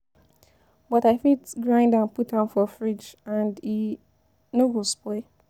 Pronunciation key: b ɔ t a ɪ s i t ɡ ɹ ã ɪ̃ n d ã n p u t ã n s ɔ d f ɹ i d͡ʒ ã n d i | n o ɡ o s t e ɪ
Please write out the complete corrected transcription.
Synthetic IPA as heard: b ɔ t a ɪ f i t ɡ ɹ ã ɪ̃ n d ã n p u t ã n f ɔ f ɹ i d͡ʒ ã n d i | n o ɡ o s p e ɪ